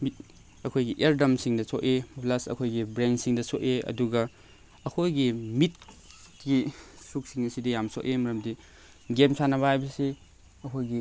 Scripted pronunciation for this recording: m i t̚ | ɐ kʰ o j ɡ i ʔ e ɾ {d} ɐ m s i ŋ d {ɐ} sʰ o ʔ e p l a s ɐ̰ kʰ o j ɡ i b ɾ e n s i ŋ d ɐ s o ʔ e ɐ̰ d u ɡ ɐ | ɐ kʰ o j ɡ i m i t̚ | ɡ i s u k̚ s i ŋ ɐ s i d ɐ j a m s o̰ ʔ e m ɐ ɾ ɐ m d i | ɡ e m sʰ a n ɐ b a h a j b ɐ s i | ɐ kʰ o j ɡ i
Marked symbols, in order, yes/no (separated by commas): yes, yes